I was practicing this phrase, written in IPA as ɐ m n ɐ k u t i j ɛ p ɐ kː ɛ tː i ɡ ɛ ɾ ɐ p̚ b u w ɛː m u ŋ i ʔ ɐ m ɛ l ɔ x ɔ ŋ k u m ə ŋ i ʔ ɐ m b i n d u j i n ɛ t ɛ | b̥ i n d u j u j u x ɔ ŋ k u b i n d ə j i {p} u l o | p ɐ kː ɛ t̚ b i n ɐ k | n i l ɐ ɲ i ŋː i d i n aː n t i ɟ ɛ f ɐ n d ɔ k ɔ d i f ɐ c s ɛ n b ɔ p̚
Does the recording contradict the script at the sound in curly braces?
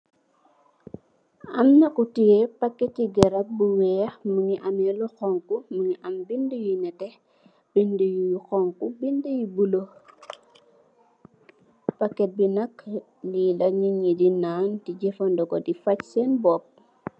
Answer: yes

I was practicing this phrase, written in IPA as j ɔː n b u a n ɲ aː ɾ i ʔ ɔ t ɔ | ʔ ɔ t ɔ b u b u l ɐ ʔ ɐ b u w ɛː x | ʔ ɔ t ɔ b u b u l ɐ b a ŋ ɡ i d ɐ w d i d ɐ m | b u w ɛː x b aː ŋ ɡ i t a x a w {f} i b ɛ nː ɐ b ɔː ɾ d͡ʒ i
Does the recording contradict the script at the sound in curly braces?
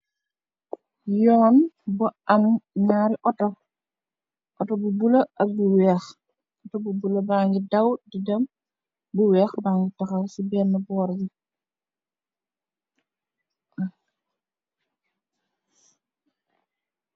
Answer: yes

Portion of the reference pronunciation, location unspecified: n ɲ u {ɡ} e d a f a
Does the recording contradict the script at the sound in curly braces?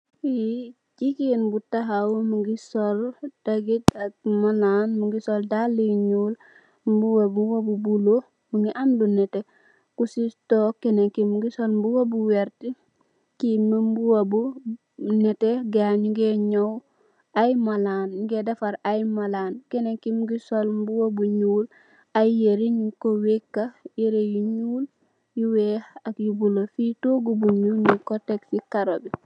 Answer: no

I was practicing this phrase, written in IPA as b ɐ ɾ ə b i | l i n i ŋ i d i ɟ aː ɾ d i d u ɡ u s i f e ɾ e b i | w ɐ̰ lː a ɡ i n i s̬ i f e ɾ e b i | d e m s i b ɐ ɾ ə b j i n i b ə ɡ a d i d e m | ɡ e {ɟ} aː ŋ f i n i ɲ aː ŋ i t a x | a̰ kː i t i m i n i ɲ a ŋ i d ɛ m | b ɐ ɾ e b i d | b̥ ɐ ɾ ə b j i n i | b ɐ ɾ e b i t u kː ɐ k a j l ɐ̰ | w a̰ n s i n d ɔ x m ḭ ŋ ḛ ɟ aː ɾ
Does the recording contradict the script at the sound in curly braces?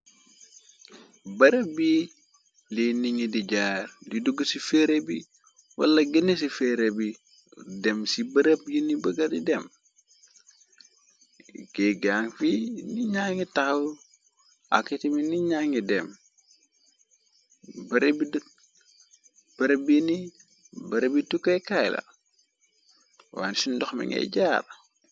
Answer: yes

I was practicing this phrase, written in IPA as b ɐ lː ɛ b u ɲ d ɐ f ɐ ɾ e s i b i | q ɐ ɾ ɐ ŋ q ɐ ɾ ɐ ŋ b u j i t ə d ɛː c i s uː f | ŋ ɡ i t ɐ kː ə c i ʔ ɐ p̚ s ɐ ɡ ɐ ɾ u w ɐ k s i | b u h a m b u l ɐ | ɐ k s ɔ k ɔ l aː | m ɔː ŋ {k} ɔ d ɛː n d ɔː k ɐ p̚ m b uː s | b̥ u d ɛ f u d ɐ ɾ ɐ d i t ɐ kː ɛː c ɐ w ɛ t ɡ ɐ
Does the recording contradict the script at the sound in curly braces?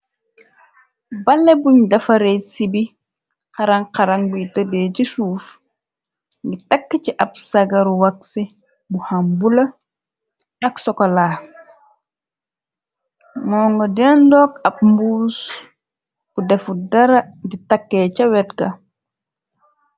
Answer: yes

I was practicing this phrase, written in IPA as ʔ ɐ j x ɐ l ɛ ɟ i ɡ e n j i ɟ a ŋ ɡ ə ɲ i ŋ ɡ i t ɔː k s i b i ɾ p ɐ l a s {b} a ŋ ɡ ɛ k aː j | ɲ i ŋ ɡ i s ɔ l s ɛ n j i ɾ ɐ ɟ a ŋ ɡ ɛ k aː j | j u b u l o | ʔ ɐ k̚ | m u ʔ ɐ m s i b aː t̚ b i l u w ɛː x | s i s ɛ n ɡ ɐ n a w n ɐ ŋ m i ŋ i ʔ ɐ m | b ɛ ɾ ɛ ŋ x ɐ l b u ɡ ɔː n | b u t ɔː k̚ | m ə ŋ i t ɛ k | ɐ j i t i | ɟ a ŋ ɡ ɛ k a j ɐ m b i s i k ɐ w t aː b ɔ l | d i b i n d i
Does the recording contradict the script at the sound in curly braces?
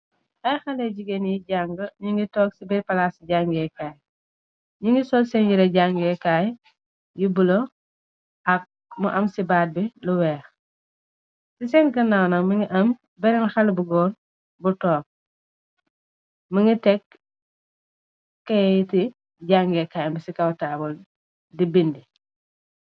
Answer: yes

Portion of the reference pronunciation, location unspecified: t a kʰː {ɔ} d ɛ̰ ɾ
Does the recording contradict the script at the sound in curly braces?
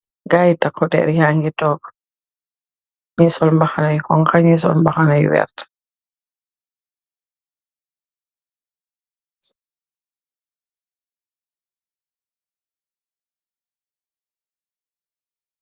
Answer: no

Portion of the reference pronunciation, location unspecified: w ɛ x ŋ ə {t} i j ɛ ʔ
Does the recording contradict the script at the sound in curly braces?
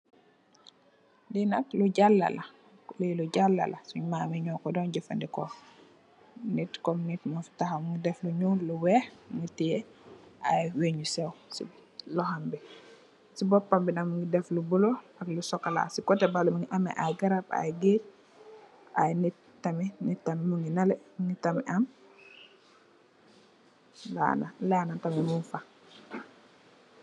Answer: no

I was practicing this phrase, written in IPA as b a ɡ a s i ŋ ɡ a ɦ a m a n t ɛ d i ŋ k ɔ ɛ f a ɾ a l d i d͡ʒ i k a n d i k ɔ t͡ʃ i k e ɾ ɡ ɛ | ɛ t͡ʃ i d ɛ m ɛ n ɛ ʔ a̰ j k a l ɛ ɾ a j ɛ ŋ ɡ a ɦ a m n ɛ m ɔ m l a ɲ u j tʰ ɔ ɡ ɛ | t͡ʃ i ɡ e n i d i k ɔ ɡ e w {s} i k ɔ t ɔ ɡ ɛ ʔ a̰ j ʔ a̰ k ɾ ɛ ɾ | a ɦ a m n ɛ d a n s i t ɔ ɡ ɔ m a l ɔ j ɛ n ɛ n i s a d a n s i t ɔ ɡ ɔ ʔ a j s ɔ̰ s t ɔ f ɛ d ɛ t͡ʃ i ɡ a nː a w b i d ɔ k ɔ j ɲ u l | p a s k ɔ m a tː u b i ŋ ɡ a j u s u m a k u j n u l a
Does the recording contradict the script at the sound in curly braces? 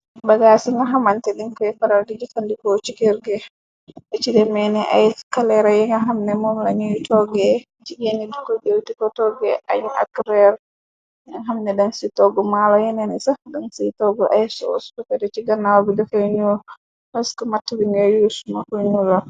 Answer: yes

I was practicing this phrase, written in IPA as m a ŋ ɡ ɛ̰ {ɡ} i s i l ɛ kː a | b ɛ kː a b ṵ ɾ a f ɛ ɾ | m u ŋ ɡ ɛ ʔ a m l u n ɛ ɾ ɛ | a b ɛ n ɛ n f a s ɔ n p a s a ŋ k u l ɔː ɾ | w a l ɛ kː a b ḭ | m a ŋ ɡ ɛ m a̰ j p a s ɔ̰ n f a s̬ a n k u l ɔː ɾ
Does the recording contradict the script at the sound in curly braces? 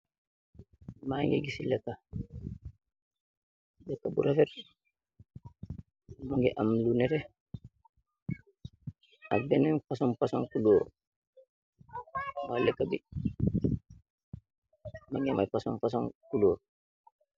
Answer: no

